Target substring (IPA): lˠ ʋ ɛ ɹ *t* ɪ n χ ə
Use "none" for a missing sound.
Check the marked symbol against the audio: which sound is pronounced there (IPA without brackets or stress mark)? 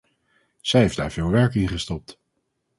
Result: k